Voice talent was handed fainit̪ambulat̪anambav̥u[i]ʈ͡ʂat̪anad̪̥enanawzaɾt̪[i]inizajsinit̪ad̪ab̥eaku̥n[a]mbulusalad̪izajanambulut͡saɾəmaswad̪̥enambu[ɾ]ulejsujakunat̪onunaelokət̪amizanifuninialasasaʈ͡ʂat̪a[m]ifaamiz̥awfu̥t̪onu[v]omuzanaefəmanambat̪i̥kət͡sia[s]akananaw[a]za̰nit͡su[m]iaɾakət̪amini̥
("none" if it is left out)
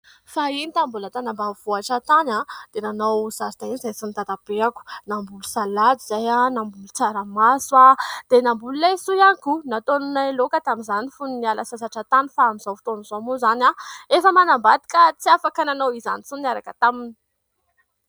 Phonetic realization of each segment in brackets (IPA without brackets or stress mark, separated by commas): a, a, a, l, n, z, f, i, n